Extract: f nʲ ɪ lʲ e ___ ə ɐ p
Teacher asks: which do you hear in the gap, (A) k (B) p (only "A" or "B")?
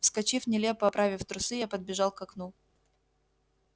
B